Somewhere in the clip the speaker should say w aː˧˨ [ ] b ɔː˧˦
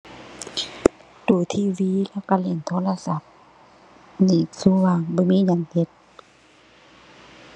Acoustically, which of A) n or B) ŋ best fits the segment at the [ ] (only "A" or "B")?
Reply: B